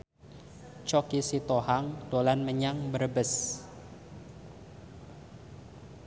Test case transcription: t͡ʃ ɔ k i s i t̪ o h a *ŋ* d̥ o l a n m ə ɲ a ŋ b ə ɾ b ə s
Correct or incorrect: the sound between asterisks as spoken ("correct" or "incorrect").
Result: correct